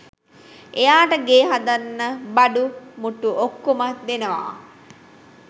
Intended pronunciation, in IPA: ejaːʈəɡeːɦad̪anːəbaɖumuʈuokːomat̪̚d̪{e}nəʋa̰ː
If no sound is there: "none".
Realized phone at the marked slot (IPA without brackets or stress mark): e